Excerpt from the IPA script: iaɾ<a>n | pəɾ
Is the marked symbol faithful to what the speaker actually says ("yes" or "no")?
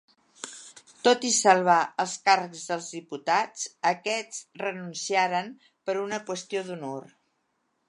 no